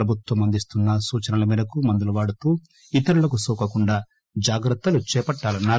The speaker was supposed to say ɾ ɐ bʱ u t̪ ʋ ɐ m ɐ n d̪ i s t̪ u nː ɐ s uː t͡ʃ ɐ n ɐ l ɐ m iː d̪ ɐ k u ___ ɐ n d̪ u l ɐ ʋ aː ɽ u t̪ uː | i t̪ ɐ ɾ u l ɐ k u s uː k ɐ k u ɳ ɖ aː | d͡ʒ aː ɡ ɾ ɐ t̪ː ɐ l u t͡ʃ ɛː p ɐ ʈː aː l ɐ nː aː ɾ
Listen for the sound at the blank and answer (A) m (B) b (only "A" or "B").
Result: A